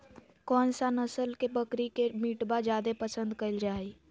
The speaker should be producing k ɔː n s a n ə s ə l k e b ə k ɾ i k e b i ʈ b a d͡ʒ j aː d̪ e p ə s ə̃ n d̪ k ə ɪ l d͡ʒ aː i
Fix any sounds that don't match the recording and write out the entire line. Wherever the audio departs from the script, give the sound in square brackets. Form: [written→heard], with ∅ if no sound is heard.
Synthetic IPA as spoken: k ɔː n s a n ə s ə l k e b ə k ɾ i k e [b→m] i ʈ b a d͡ʒ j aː d̪ e p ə s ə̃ n d̪ k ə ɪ l d͡ʒ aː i